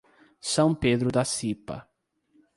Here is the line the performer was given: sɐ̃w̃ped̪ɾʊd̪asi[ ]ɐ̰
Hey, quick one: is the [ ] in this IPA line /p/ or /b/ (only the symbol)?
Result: p